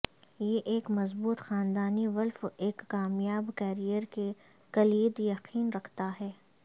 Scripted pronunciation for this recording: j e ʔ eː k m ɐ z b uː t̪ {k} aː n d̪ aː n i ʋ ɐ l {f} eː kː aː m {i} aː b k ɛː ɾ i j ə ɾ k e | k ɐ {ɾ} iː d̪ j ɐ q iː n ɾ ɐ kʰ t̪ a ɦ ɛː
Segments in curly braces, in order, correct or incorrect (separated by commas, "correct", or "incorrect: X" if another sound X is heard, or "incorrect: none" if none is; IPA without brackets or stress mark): incorrect: x, correct, incorrect: j, incorrect: l